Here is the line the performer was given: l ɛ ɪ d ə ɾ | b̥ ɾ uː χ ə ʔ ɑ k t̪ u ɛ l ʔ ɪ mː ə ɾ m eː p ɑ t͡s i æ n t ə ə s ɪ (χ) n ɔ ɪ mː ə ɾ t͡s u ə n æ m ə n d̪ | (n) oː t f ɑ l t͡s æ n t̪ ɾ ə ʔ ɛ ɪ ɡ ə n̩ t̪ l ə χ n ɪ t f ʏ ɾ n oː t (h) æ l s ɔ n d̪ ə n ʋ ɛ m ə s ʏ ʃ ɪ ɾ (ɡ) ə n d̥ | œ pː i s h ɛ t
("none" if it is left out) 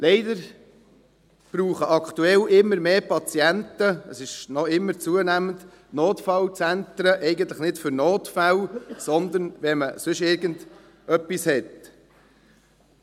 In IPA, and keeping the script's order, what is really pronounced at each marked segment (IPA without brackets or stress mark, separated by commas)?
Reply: ʃ, n, f, ɡ